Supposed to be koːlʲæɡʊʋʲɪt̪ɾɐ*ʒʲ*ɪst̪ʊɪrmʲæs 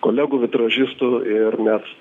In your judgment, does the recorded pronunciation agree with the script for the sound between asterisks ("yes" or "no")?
yes